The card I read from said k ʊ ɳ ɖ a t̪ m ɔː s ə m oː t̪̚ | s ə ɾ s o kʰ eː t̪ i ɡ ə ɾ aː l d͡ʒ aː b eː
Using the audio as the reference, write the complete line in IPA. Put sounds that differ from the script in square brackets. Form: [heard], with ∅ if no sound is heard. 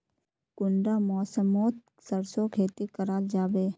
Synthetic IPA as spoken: k ʊ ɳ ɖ a [∅] m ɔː s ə m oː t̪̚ | s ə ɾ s o kʰ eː t̪ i [k] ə ɾ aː l d͡ʒ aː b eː